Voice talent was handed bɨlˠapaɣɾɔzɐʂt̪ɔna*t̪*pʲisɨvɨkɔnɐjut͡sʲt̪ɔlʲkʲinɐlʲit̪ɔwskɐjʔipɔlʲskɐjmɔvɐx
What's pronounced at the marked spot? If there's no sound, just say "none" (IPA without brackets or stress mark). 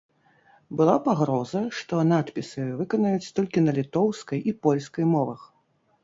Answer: t̪